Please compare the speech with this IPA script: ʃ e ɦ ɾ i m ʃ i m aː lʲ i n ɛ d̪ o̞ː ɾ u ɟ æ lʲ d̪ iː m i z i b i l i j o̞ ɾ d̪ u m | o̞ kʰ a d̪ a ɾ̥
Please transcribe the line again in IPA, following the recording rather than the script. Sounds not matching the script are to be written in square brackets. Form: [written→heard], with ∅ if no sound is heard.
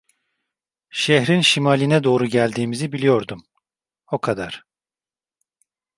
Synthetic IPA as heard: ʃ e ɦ ɾ i [m→n] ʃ i m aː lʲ i n ɛ d̪ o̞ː ɾ u ɟ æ lʲ d̪ iː m i z i b i l i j o̞ ɾ d̪ u m | o̞ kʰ a d̪ a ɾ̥